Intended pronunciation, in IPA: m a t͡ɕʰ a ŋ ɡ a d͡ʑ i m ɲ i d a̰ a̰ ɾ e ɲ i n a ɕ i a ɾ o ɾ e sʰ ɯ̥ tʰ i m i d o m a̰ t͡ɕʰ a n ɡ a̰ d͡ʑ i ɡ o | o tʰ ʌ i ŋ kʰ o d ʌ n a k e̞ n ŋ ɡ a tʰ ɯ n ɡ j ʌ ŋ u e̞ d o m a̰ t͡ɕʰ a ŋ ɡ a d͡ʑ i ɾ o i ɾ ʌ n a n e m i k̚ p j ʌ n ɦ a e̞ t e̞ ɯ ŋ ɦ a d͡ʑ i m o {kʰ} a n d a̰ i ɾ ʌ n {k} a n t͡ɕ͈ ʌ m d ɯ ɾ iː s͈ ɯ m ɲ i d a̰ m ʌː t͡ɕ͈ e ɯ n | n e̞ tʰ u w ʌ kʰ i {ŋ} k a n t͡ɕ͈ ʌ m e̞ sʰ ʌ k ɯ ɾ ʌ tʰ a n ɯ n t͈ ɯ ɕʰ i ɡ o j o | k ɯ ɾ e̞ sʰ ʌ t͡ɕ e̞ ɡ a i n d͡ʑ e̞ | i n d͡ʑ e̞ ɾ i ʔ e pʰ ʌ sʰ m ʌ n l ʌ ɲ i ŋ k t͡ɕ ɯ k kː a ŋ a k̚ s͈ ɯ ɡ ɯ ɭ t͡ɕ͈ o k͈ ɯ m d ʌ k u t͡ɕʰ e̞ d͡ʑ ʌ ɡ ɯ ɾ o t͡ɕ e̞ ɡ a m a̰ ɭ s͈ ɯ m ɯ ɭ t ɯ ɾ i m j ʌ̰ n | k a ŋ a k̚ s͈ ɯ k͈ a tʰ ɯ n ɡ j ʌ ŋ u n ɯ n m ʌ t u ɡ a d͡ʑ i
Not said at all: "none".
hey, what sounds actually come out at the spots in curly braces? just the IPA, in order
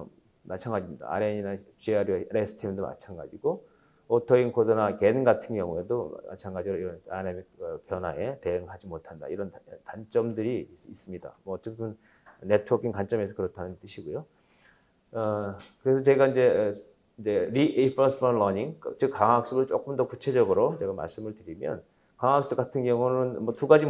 tʰ, t, ŋ

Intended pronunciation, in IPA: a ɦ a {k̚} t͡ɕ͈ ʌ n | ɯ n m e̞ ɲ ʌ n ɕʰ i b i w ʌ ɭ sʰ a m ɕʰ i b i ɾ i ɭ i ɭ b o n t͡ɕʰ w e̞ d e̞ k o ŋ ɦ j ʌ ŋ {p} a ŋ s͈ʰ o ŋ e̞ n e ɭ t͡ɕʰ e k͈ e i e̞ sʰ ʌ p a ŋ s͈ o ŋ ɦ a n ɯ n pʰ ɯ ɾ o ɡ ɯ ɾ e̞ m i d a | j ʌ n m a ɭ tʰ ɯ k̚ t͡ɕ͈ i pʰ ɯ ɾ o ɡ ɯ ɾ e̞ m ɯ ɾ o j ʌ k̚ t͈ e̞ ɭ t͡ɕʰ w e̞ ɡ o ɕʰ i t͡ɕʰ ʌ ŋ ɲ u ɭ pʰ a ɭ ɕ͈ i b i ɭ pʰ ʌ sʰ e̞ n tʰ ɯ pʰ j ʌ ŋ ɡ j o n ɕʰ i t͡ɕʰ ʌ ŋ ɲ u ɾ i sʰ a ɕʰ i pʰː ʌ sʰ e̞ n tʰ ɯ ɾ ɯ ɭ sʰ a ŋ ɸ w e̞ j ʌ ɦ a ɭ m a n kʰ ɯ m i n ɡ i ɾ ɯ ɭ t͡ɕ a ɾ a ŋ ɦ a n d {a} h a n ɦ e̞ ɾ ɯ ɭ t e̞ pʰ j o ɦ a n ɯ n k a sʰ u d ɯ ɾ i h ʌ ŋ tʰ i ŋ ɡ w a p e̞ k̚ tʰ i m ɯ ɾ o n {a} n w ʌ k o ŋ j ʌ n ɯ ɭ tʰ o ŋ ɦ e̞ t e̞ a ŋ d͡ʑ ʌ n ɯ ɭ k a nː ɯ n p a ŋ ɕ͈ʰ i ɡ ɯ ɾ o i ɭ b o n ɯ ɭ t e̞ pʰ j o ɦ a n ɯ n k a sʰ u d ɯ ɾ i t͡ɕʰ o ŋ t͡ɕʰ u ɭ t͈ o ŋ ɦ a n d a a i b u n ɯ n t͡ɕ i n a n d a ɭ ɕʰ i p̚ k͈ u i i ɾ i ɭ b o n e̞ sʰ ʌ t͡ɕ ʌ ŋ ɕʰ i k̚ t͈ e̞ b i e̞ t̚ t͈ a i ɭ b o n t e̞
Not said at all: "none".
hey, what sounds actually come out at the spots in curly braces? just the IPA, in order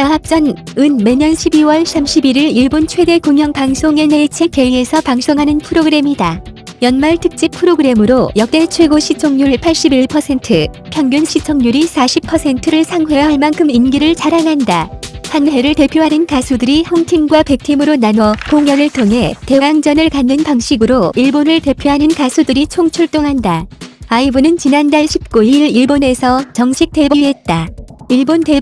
p̚, p, a, a

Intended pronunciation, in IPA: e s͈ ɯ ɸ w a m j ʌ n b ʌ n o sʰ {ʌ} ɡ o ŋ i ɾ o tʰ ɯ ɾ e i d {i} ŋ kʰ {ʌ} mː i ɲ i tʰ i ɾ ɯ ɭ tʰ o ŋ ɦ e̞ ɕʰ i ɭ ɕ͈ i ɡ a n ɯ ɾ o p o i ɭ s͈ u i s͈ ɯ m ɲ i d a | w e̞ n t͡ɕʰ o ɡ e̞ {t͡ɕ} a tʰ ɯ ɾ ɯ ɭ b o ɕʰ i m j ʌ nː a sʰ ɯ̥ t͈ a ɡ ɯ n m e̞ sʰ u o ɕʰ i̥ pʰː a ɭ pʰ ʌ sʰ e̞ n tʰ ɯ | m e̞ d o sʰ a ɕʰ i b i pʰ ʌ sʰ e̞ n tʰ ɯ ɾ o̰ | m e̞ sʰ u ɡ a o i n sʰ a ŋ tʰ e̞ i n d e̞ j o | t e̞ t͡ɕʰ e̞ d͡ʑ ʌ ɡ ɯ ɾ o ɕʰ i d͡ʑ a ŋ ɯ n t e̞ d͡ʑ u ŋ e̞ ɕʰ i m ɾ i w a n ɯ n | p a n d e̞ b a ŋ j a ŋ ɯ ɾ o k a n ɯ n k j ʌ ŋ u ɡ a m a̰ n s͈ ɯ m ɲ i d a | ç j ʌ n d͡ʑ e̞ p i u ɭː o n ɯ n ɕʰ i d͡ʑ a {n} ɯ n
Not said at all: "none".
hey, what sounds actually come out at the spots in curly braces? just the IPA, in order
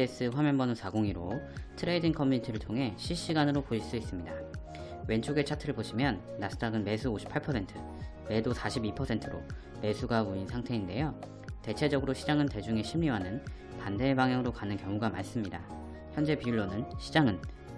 a, i, ʌ, t͡ɕʰ, ŋ

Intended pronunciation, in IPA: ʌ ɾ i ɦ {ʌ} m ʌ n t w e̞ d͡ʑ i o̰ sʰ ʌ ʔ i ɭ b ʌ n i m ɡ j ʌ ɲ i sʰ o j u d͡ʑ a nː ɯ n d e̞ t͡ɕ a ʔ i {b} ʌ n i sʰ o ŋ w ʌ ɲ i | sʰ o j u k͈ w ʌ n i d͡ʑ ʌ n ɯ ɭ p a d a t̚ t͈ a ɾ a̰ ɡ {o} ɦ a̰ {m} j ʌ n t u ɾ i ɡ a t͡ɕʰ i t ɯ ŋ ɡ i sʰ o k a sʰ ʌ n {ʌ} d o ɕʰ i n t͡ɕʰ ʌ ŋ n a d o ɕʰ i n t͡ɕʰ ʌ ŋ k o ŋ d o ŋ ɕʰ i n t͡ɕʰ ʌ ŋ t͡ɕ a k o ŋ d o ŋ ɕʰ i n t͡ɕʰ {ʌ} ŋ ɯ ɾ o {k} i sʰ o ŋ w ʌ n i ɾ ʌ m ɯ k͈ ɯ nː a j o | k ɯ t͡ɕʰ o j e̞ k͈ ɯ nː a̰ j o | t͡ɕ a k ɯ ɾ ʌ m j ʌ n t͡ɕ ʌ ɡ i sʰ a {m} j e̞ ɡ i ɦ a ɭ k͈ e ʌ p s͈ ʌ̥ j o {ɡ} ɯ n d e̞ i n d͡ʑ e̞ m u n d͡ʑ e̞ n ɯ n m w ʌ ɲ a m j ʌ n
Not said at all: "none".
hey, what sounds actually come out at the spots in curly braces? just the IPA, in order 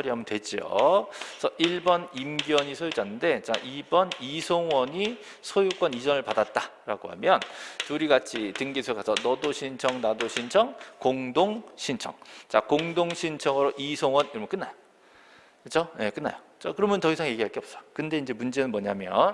a, b, o, m, ʌ, ʌ, ʔ, ŋ, k

